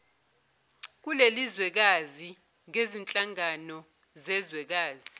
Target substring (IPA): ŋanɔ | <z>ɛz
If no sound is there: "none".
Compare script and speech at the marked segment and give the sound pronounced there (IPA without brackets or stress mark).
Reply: z